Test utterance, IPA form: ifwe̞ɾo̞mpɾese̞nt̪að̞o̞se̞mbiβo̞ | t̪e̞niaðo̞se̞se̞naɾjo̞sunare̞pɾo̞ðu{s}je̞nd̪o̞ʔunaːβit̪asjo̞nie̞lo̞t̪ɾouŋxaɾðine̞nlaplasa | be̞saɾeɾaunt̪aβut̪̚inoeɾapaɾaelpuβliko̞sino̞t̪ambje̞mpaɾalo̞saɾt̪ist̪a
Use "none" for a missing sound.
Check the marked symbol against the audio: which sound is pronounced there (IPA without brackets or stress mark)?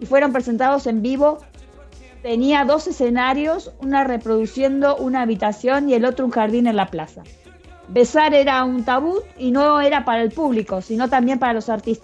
s